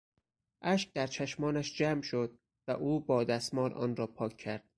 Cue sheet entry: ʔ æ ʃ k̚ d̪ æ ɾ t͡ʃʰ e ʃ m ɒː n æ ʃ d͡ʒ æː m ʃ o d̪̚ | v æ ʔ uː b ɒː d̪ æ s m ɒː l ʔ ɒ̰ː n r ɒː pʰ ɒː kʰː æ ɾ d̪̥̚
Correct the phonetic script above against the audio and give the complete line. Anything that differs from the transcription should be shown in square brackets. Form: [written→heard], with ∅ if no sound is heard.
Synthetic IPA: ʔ æ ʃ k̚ d̪ æ ɾ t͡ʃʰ [e→æ] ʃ m ɒː n æ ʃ d͡ʒ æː m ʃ o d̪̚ | v æ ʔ uː b ɒː d̪ æ s m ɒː l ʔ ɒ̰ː n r ɒː pʰ ɒː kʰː æ ɾ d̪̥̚